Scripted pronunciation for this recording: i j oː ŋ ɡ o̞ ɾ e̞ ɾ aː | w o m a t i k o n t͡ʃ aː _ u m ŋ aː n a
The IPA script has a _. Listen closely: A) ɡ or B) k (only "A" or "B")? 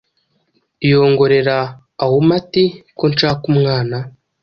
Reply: B